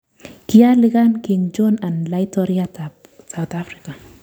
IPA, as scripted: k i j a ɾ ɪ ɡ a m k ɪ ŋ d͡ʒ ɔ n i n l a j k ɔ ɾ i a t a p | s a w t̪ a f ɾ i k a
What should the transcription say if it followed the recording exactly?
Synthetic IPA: k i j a l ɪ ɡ a n k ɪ ŋ d͡ʒ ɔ n a n l a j t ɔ ɾ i a t a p | s a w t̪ a f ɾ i k a